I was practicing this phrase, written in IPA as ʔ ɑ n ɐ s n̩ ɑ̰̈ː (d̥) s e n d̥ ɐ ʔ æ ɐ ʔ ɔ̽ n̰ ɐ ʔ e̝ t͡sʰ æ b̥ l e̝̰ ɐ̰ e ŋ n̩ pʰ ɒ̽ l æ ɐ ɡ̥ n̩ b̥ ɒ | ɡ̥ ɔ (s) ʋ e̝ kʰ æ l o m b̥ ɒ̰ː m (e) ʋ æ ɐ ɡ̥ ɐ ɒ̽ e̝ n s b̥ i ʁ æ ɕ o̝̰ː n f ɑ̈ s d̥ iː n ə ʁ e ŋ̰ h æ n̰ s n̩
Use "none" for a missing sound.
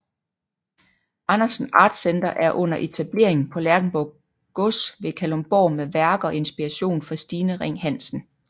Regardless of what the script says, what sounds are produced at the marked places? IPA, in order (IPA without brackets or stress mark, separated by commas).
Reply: d̥, s, e